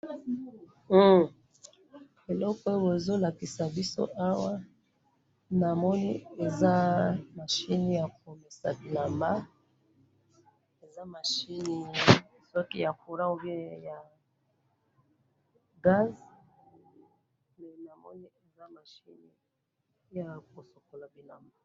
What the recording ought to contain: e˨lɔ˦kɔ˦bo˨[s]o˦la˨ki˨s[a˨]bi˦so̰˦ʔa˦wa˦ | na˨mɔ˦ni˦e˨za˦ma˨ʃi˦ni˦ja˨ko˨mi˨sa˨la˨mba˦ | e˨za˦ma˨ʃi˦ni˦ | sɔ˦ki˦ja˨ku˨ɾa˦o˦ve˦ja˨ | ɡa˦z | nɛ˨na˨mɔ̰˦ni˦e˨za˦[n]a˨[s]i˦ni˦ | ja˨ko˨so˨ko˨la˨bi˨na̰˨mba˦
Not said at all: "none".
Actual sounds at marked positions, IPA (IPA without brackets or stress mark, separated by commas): z, a˨, m, ʃ